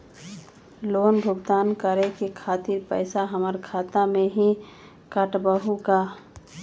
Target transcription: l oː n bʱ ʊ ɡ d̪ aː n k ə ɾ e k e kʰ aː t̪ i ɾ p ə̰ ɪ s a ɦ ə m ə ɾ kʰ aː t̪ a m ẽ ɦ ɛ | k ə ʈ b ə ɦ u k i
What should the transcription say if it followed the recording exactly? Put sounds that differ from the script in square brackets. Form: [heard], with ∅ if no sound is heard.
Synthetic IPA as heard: l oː n bʱ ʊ ɡ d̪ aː n k ə ɾ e k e kʰ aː t̪ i ɾ p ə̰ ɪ s a ɦ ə m ə ɾ kʰ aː t̪ a m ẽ ɦ [i] | k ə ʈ b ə ɦ u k [a]